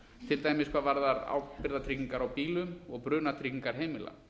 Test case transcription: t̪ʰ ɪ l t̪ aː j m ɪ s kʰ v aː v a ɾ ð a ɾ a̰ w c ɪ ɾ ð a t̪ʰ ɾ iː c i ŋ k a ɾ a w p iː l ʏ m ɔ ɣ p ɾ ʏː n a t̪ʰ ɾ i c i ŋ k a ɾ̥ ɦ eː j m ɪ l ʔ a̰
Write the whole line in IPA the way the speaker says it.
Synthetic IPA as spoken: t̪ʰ ɪ l t̪ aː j m ɪ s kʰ v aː v a ɾ ð a ɾ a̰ w p ɪ ɾ ð a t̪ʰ ɾ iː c i ŋ k a ɾ a w p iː l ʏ m ɔ ɣ p ɾ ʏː n a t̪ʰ ɾ i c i ŋ k a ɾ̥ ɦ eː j m ɪ l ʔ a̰